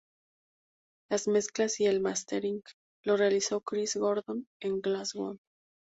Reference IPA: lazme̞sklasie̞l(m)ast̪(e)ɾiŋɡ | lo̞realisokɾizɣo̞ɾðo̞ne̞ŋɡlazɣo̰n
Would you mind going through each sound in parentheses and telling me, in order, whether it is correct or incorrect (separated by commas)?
correct, correct